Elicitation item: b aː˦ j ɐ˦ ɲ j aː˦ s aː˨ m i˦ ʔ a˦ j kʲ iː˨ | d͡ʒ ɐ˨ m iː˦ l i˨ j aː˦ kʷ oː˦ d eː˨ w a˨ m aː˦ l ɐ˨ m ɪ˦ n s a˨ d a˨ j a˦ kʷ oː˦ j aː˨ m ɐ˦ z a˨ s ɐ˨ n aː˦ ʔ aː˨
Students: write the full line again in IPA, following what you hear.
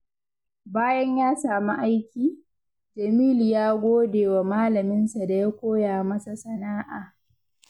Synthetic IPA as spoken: b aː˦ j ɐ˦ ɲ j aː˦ s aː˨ m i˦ ʔ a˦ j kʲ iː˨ | d͡ʒ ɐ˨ m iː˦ l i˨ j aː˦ ɡʷ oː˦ d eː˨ w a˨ m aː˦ l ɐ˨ m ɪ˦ n s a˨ d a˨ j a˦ kʷ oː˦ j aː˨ m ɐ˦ s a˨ s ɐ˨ n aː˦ ʔ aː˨